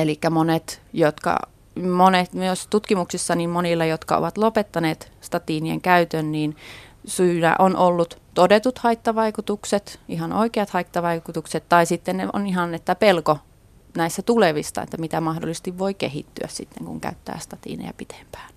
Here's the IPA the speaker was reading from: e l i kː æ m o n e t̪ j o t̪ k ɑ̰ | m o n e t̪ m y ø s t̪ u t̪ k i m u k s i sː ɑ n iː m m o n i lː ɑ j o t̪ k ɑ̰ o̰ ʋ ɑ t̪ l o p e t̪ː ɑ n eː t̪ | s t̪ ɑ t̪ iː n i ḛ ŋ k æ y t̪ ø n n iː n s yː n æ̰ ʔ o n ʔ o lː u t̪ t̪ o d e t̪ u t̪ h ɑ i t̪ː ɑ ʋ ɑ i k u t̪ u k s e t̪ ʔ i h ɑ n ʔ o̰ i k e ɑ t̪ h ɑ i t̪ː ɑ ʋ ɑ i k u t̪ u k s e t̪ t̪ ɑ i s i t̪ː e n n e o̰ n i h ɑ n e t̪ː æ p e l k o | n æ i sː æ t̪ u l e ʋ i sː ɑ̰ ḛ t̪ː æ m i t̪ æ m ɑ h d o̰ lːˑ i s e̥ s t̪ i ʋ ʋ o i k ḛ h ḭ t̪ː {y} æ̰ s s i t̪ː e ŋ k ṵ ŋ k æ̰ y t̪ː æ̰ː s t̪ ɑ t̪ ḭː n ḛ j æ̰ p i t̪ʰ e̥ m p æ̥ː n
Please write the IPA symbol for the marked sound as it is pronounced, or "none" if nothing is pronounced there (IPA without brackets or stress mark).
y